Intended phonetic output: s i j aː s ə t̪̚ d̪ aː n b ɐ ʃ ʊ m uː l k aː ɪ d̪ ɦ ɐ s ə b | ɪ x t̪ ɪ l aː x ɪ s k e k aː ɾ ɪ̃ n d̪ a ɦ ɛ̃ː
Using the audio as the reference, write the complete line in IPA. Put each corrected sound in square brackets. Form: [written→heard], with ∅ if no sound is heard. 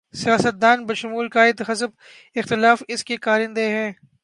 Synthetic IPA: s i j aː s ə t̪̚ d̪ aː n b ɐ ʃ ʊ m uː l k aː ɪ d̪ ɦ ɐ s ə b | ɪ x t̪ ɪ l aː [x→f] ɪ s k e k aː ɾ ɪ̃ n d̪ [a→e] ɦ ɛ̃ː